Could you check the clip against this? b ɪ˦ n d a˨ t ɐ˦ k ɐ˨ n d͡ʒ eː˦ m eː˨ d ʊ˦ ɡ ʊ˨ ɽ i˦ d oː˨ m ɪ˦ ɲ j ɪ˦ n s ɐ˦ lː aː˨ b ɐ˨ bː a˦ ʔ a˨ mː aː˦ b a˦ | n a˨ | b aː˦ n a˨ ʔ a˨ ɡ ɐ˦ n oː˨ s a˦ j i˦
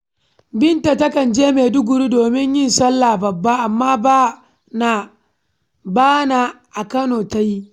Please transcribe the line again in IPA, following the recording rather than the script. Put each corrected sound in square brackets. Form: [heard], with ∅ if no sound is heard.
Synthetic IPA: b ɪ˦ n [t] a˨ t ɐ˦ k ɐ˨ n d͡ʒ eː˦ m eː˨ d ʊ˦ ɡ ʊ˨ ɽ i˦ d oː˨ m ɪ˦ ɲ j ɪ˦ n s ɐ˦ lː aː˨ b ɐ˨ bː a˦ ʔ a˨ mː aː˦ b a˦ | n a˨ | b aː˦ n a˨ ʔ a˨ [k] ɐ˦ n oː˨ [t] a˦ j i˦